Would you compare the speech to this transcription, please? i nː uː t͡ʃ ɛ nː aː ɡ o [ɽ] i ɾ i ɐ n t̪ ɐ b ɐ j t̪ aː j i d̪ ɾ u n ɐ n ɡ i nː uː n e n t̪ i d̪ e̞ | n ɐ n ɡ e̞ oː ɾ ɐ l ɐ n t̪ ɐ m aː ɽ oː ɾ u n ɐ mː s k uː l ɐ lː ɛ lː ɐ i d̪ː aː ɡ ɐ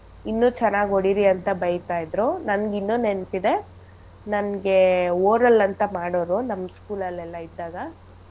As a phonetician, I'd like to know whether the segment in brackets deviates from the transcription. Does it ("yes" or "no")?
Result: no